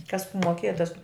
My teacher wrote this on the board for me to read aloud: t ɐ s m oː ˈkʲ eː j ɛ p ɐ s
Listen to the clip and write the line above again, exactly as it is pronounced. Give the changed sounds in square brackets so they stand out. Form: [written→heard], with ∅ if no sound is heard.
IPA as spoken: [t→k] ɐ s m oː ˈkʲ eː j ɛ [p→t] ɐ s